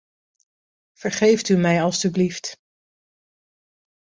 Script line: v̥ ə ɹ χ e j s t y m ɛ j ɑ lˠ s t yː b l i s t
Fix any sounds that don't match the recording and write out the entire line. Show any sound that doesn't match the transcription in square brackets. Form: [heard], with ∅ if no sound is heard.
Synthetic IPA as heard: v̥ ə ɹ χ e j [f] t y m ɛ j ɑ lˠ s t [y] b l i [f] t